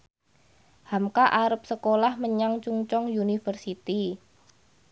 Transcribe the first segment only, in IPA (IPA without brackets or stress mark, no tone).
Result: h